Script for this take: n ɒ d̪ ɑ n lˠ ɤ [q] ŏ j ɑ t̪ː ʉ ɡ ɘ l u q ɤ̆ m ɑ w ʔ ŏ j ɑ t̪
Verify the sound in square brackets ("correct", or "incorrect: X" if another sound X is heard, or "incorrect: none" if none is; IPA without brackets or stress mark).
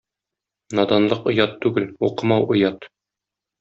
correct